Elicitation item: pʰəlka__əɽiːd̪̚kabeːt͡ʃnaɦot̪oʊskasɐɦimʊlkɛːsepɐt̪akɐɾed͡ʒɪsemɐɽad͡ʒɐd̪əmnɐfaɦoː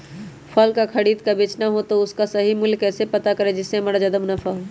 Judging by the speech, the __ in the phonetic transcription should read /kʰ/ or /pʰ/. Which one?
kʰ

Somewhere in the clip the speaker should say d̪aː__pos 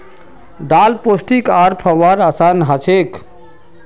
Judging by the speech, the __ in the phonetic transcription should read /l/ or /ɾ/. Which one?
l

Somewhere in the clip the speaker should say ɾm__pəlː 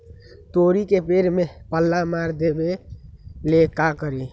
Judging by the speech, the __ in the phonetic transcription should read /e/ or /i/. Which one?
e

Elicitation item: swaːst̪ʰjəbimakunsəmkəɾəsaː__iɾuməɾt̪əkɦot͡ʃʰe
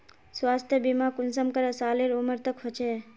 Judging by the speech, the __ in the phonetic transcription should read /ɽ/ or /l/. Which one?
l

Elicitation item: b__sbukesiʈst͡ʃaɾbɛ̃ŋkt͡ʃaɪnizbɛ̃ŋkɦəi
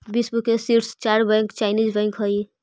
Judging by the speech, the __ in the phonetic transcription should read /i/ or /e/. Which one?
i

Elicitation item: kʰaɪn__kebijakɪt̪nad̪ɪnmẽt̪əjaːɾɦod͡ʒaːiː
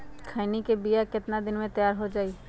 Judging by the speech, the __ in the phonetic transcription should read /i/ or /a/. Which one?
i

